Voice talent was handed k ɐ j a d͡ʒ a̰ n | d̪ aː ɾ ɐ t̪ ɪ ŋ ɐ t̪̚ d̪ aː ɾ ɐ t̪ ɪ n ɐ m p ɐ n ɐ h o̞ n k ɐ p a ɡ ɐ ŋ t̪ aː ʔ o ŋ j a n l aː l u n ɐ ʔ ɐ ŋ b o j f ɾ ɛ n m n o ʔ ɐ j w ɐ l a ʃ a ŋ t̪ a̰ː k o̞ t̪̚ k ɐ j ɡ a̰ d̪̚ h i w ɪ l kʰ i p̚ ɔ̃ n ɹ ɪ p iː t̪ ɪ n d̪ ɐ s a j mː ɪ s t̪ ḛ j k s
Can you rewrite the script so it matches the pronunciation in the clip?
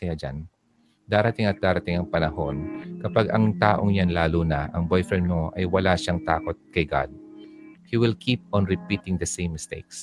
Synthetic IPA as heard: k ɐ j a d͡ʒ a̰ n | d̪ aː ɾ ɐ t̪ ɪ ŋ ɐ t̪̚ d̪ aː ɾ ɐ t̪ ɪ ŋ ɐ ŋ p ɐ n ɐ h o̞ n k ɐ p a ɡ ɐ ŋ t̪ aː ʔ o ŋ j a n l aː l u n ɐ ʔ ɐ ŋ b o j f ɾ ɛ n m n o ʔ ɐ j w ɐ l a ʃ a ŋ t̪ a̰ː k o̞ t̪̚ k ɐ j ɡ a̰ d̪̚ h i w ɪ l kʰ i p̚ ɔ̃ n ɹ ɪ p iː t̪ ɪ ŋ d̪ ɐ s e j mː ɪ s t̪ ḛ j k s